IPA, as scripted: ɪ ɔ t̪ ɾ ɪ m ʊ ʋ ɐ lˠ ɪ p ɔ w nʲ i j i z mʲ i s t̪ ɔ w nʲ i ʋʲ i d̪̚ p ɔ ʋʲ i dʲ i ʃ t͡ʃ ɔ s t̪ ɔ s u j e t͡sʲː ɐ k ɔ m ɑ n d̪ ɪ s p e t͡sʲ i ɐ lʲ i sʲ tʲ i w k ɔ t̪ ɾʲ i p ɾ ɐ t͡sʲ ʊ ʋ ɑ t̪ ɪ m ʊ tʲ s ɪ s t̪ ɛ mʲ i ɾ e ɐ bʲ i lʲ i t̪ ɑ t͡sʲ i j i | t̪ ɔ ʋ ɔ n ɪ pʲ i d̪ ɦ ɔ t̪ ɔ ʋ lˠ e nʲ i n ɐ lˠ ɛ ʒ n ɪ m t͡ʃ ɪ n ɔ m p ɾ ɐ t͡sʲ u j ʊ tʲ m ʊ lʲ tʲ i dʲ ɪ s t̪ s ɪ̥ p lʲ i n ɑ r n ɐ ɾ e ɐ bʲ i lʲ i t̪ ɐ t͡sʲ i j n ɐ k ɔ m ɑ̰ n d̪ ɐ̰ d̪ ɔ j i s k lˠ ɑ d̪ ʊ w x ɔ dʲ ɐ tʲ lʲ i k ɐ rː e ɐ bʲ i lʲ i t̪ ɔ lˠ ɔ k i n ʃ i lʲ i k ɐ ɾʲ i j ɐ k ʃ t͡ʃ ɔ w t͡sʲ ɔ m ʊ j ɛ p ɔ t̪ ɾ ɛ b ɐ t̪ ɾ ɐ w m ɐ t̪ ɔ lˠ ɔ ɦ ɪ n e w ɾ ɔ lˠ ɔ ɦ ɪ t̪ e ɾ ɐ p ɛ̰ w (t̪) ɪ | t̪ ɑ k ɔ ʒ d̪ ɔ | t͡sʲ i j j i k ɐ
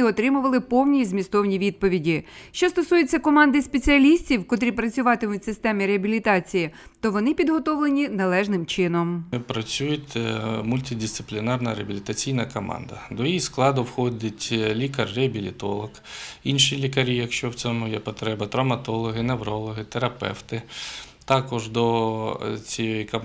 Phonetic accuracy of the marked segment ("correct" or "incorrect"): correct